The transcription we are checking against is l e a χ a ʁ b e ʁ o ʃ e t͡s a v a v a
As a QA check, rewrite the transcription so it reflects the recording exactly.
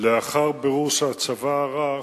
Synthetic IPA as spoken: l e a χ a ʁ b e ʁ u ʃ a t͡s a v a ʁ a